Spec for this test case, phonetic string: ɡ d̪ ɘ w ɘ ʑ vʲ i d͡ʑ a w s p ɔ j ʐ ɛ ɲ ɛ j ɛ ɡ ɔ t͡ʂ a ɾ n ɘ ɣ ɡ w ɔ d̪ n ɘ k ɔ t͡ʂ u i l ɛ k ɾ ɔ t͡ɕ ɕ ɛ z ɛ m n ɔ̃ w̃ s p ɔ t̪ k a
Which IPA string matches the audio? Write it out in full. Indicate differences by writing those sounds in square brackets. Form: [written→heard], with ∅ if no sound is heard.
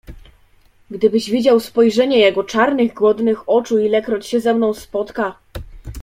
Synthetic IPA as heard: ɡ d̪ ɘ [w→b] ɘ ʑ vʲ i d͡ʑ a w s p ɔ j ʐ ɛ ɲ ɛ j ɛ ɡ ɔ t͡ʂ a ɾ n ɘ ɣ ɡ w ɔ d̪ n ɘ [k→x] ɔ t͡ʂ u i l ɛ k ɾ ɔ t͡ɕ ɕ ɛ z ɛ m n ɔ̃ w̃ s p ɔ t̪ k a